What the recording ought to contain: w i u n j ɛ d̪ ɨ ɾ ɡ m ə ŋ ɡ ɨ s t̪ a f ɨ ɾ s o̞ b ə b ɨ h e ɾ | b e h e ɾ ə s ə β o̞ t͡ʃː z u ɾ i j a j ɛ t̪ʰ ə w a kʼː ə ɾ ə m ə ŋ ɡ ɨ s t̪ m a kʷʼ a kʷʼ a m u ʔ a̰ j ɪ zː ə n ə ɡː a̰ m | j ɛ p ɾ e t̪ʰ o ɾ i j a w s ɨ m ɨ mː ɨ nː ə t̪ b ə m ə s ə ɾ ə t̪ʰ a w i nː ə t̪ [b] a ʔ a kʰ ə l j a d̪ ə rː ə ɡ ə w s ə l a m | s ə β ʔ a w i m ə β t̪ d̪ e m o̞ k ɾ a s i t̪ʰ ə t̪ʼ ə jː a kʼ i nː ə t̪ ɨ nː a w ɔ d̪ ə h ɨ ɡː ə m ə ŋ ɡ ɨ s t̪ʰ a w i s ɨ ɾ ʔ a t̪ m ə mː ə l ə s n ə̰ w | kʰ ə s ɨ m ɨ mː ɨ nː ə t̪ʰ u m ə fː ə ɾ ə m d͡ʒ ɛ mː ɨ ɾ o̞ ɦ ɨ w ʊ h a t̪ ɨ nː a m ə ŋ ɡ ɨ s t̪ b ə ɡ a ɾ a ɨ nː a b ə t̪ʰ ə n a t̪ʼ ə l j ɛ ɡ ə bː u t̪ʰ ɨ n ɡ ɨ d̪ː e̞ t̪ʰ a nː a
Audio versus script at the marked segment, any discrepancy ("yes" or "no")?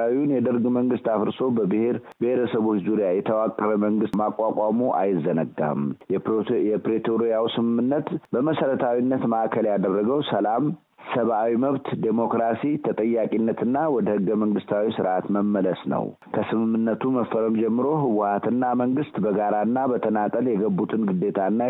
yes